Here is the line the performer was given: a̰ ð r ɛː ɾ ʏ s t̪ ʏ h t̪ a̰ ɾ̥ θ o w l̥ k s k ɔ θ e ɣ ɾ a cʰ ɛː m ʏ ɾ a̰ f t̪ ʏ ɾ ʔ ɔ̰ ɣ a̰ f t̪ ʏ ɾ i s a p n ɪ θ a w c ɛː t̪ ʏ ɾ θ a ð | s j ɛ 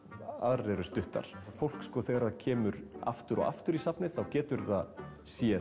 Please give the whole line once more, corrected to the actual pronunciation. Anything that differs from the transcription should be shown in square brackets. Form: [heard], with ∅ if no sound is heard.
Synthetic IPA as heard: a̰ ð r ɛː ɾ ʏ s t̪ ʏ h t̪ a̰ ɾ̥ [f] o w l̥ k s k ɔ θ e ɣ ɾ a cʰ ɛː m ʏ ɾ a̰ f t̪ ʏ ɾ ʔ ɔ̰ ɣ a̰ f t̪ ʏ ɾ i s a p n ɪ θ a w c ɛː t̪ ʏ ɾ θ a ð | s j ɛ